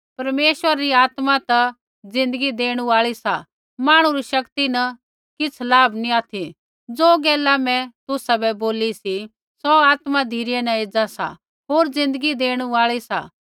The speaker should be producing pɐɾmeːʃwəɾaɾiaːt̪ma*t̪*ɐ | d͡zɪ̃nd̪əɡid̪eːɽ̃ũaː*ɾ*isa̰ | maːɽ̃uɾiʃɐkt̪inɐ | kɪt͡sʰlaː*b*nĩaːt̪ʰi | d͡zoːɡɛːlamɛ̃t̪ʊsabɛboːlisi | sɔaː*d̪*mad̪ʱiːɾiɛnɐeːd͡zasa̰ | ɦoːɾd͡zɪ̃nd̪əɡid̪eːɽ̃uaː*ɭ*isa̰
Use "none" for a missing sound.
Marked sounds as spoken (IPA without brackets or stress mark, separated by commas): t̪, ɭ, b, t̪, ɭ